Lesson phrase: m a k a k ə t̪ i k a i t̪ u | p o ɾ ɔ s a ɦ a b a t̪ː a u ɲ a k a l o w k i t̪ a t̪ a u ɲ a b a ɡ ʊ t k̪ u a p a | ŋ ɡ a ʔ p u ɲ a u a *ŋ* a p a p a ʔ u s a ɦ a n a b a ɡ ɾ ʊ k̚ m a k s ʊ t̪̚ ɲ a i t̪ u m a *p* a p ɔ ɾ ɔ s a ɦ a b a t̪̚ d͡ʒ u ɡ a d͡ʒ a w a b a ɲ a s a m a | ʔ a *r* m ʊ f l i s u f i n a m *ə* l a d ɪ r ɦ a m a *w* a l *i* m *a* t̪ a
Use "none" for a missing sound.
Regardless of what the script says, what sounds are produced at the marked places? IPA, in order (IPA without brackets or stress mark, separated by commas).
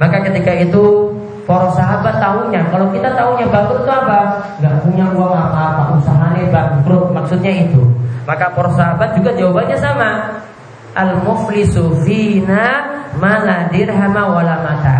ŋ, k, l, a, w, a, a